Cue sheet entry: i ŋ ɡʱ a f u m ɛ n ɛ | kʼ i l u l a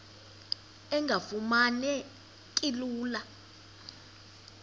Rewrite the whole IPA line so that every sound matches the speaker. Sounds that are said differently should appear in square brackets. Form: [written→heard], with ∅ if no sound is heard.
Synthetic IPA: [i→ɛ] ŋ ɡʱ a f u m [ɛ→a] n ɛ | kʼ i l [u→uː] l a

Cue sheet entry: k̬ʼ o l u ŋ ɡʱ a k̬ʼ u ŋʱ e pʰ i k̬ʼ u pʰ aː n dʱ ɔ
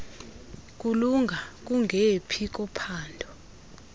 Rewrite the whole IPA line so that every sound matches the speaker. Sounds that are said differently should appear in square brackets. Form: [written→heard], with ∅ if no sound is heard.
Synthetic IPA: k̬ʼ [o→u] l u ŋ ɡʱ a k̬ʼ u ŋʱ e pʰ i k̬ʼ [u→ɔ] pʰ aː n dʱ ɔ

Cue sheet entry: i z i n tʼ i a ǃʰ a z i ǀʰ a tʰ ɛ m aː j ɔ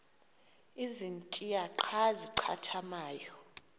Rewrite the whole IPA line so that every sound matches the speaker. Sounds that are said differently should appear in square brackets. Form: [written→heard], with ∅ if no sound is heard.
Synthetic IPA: i z i n tʼ i a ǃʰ a z i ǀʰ a tʰ [ɛ→a] m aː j ɔ

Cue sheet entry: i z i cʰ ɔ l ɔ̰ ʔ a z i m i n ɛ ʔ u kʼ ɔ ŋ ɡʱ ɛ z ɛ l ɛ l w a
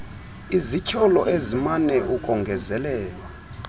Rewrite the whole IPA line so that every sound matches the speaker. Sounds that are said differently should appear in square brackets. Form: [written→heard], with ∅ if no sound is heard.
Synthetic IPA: i z i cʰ ɔ l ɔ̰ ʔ [a→e] z i m [i→a] n ɛ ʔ u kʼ ɔ ŋ ɡʱ ɛ z ɛ l [ɛ→ɛː] l w a

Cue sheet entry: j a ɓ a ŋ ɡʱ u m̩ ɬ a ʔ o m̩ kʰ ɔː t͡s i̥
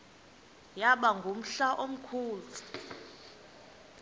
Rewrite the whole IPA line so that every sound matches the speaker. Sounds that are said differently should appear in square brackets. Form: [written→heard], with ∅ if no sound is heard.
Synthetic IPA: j a ɓ a ŋ ɡʱ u m̩ ɬ a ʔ o m̩ kʰ [ɔː→uː] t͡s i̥

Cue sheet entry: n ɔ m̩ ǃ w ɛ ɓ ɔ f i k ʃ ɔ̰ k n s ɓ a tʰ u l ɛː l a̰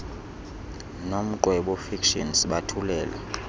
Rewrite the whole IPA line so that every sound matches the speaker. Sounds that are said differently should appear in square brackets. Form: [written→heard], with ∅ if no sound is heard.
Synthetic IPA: n [ɔ→o] m̩ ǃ w ɛ ɓ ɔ f i k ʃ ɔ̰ [k→∅] n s ɓ a tʰ u l ɛː l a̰

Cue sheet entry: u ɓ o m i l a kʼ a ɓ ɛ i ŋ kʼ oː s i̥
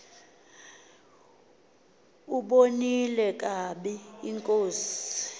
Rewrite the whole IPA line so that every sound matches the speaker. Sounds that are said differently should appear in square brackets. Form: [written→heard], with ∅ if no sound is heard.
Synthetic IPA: u ɓ o [m→n] i l [a→ɛ] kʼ a ɓ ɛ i ŋ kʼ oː s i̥

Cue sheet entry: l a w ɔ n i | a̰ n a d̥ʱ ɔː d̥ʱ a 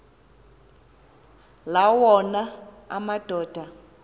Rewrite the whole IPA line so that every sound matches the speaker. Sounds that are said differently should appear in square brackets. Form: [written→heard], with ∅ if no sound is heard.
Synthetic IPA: l a w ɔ n [i→a] | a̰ [n→m] a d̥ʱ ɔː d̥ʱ a

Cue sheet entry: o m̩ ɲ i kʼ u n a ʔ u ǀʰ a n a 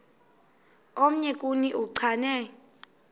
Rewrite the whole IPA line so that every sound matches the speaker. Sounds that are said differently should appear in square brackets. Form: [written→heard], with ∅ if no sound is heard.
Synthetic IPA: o m̩ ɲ [i→ɛ] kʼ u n [a→i] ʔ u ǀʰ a n [a→ɛ]

